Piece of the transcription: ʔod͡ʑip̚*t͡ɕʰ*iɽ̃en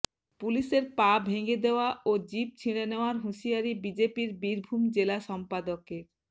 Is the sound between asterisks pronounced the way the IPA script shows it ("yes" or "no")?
yes